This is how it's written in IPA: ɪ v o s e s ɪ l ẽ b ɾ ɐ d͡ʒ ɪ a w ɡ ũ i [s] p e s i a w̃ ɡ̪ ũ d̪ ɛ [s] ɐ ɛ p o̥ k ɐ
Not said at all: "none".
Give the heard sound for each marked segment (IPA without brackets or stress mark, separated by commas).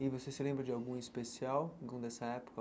s, s